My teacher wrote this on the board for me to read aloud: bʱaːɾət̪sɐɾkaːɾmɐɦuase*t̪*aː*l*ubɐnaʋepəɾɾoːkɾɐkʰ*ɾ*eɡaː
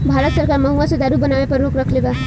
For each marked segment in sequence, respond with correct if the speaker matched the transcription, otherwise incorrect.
incorrect: d̪, incorrect: ɾ, incorrect: l

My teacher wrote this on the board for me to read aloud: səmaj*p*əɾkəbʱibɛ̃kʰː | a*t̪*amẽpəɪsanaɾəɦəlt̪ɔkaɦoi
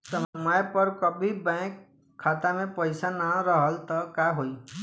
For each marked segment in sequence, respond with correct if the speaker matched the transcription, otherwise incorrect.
correct, correct

